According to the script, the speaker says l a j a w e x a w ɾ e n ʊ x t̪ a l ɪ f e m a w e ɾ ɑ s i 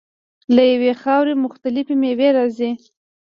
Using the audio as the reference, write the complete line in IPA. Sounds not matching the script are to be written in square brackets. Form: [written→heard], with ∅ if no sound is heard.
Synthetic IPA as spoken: l a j a w e x [a→ɑ] w ɾ e [n→m] ʊ x t̪ a l ɪ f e m [a→e] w e ɾ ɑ [s→z] i